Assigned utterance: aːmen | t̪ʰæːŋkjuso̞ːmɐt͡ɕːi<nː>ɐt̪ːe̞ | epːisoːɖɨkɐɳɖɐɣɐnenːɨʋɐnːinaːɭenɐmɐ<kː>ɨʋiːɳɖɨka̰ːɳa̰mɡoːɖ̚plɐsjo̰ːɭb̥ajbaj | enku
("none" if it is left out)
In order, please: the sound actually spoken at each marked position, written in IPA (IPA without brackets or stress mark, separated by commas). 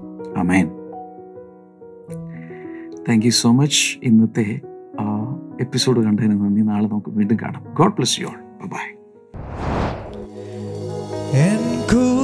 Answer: nː, kː